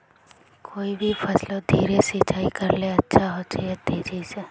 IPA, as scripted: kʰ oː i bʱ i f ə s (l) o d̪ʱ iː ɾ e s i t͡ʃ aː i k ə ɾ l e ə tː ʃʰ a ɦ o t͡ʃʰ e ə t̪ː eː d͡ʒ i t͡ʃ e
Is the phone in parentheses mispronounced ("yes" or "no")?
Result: no